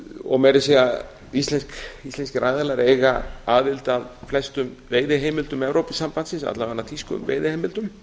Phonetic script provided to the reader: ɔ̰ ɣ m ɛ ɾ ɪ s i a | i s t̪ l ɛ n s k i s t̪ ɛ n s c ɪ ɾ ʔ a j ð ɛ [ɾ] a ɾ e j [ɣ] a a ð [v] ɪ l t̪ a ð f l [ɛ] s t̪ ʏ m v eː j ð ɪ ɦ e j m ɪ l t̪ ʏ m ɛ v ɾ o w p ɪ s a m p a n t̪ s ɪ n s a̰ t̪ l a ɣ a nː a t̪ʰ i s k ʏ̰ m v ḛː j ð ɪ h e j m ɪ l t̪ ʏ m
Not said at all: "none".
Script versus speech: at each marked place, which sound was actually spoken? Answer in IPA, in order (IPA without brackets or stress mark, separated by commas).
l, ɣ, v, ɛ